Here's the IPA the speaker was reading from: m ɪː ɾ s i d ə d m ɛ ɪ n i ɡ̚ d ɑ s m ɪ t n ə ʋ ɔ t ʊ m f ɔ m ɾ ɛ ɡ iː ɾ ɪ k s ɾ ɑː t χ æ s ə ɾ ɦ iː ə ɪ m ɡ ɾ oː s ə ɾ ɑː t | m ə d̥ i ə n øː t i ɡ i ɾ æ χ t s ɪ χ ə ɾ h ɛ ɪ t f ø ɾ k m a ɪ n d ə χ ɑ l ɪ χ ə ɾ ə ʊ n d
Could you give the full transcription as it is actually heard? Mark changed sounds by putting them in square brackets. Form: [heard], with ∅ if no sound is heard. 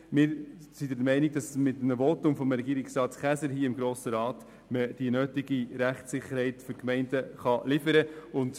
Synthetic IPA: m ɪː ɾ s i d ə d m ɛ ɪ n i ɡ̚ d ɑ s m ɪ t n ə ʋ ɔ t ʊ m f ɔ m ɾ ɛ ɡ iː ɾ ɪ k s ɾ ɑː t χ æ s ə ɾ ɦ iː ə ɪ m ɡ ɾ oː s ə ɾ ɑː t | m ə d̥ i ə n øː t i ɡ i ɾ æ χ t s ɪ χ ə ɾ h ɛ ɪ t f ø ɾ k m [ɛ] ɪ n d ə χ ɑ l ɪ [f] ə ɾ ə ʊ n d